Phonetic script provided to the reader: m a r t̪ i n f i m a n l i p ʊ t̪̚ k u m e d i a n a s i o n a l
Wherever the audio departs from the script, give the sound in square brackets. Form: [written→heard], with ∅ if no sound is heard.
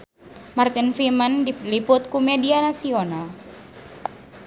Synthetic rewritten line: m a r t̪ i n f i m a n l i p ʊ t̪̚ k u m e d i a n a s i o n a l

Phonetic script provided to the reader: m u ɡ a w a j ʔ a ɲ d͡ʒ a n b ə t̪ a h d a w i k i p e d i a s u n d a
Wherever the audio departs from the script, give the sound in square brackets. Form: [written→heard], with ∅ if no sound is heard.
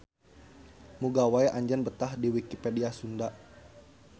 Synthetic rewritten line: m u ɡ a w a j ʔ a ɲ d͡ʒ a n b ə t̪ a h d [a→i] w i k i p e d i a s u n d a

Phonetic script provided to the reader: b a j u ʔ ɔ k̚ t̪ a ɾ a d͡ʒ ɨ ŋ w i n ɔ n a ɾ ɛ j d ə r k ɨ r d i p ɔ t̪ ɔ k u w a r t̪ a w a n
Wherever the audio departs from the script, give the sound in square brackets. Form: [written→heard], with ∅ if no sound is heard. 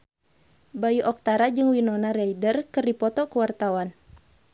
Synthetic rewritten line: b a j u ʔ ɔ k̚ t̪ a ɾ a d͡ʒ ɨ ŋ w i n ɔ n a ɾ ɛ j d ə r k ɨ r d i p ɔ t̪ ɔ k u w a r t̪ a w a n

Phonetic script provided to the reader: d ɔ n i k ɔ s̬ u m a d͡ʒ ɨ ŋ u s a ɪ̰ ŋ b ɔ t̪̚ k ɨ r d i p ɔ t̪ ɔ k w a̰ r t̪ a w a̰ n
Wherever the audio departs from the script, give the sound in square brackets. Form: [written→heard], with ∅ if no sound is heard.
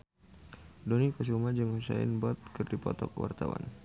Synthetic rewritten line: d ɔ n i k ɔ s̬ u m a d͡ʒ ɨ ŋ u s a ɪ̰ [ŋ→n] b ɔ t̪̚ k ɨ r d i p ɔ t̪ ɔ k w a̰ r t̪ a w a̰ n

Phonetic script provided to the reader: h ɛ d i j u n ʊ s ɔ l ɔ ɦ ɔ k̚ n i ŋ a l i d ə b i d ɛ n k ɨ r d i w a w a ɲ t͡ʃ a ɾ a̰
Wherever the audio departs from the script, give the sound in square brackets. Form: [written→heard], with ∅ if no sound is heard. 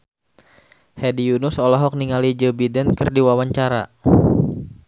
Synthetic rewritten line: h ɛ d i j u n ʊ s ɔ l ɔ ɦ ɔ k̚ n i ŋ a l i [d→d͡ʒ] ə b i d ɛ n k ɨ r d i w a w a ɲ t͡ʃ a ɾ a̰

